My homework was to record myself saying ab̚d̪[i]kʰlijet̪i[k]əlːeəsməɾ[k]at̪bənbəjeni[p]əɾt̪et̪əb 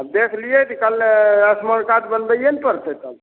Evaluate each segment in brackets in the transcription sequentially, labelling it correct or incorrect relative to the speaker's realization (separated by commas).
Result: incorrect, correct, correct, correct